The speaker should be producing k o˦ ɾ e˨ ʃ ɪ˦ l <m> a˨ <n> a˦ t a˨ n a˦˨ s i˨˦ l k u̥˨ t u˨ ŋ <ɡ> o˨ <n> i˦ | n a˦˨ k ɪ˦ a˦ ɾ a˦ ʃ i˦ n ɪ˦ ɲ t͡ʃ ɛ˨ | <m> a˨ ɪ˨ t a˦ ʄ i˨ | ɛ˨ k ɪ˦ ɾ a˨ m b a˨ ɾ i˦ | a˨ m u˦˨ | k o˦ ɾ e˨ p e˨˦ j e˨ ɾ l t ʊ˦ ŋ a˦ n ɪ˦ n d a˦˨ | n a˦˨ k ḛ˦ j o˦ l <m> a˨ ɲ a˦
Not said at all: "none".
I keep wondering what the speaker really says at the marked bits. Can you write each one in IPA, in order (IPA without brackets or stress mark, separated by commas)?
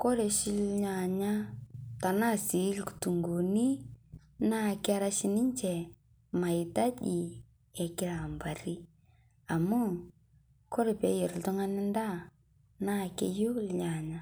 ɲ, ɲ, ɡ, n, m, ɲ